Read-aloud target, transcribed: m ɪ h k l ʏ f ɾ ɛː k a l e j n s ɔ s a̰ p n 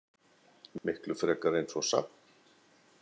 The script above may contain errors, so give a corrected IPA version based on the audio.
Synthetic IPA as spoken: m ɪ h k l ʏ f ɾ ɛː k a ɾ e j n s ɔ s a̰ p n